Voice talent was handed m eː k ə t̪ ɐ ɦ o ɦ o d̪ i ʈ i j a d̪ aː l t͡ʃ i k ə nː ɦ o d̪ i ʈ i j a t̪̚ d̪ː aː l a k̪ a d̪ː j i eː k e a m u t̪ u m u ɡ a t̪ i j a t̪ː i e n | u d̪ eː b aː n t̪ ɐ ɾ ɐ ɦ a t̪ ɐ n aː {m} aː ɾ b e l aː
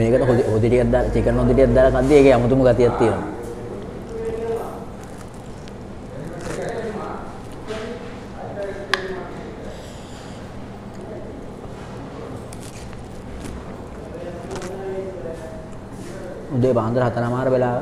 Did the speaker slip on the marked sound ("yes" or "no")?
no